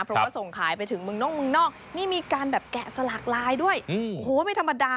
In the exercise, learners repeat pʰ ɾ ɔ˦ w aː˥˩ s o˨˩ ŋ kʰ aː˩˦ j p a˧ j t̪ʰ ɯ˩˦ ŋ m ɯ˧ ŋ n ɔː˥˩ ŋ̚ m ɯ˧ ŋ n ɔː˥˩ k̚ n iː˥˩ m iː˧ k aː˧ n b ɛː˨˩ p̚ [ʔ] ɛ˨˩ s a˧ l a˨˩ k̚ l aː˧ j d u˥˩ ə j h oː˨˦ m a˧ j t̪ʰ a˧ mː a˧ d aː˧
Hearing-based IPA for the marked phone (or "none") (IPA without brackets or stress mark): k